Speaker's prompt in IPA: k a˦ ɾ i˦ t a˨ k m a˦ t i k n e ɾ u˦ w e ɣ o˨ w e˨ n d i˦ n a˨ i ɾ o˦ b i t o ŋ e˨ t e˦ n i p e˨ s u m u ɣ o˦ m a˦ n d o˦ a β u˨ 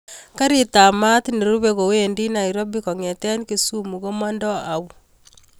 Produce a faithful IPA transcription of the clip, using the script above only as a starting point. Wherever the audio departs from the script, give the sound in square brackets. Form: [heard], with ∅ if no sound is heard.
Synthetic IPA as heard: k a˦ ɾ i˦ t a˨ [∅] m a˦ t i [∅] n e ɾ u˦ [β] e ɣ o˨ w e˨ n d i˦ n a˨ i ɾ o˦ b i [k] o ŋ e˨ t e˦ n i [k] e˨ s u m u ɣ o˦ m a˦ n d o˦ a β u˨